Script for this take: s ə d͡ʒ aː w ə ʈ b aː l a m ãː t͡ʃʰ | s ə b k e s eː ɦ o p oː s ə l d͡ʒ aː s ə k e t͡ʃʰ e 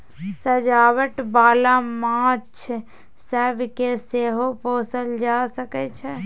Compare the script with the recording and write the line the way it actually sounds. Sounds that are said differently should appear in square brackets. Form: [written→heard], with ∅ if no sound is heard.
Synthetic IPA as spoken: s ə d͡ʒ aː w ə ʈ b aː l a m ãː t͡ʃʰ | s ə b k e s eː ɦ o p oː s ə l d͡ʒ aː s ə k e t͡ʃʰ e